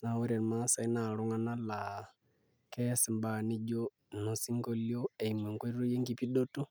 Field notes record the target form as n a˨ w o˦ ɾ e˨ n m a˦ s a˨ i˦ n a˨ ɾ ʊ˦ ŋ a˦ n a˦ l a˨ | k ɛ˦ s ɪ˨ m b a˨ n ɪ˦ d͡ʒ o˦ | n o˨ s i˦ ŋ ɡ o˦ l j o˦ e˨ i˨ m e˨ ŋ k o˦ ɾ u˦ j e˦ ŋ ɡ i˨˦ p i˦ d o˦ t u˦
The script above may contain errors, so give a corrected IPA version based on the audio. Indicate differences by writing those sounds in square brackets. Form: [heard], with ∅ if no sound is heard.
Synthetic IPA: n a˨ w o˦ ɾ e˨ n m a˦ s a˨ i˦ n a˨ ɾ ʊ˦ ŋ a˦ n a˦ l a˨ | k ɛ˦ s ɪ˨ m b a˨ n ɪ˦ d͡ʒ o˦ | n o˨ s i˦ ŋ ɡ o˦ l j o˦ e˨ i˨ m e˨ ŋ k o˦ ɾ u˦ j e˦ ŋ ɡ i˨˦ p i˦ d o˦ t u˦